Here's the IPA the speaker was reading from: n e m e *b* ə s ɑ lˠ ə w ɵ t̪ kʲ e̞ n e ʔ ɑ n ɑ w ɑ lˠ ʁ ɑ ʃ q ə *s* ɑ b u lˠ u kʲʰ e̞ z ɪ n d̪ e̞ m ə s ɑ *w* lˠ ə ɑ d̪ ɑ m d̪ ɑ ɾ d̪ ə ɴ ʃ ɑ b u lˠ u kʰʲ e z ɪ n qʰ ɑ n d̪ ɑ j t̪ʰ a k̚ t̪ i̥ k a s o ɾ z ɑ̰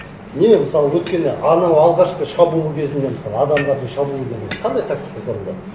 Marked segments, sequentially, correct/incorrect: incorrect: m, incorrect: ʃ, incorrect: none

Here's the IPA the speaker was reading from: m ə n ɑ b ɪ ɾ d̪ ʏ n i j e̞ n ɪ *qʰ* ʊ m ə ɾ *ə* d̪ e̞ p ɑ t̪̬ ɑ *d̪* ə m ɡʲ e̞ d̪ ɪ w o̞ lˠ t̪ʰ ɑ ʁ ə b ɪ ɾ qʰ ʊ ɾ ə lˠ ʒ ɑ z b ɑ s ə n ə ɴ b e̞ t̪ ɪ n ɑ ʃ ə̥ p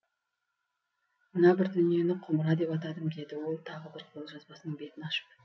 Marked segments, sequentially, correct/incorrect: correct, incorrect: ɑ, correct

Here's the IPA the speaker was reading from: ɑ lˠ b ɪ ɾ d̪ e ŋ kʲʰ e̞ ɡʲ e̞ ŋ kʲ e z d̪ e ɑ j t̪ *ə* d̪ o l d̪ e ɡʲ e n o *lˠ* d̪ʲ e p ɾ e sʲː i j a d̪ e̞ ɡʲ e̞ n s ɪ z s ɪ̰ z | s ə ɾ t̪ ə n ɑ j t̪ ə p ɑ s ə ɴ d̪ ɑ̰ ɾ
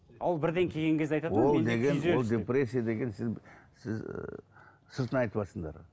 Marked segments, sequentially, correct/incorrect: incorrect: ɑ, correct

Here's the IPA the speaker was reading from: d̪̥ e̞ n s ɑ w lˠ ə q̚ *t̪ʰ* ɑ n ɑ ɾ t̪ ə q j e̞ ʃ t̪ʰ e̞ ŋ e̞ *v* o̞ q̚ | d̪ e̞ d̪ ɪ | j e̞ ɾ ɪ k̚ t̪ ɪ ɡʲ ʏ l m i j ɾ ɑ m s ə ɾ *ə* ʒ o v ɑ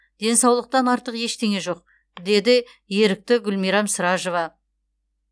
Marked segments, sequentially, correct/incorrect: incorrect: t̪, incorrect: ʒ, incorrect: ɑ

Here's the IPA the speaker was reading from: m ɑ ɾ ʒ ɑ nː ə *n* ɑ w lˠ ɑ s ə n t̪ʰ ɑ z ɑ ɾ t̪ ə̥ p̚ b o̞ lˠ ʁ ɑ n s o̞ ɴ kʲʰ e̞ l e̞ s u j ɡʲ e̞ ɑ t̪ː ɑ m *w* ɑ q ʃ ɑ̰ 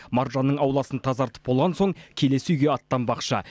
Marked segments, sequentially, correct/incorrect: incorrect: ɴ, incorrect: b

